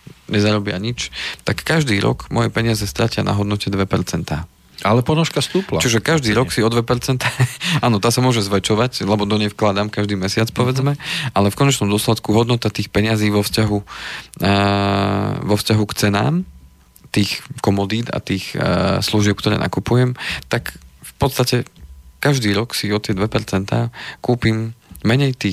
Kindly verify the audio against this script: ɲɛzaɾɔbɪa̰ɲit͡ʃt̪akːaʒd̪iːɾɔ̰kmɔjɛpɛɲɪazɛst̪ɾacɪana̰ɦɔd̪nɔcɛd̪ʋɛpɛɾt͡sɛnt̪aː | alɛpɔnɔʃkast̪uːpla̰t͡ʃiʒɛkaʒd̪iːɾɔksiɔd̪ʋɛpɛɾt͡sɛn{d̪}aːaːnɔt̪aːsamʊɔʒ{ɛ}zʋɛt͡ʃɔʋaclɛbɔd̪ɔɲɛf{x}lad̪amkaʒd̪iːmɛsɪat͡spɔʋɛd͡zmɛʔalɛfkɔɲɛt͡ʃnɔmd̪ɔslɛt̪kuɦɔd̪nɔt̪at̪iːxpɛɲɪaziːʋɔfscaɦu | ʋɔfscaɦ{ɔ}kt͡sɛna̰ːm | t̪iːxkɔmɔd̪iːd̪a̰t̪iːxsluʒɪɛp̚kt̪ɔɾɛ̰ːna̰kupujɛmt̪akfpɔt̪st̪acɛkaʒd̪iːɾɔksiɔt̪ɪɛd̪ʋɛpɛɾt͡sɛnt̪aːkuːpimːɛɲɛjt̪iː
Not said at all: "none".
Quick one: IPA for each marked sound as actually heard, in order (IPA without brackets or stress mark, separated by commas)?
t̪, ɛ, k, u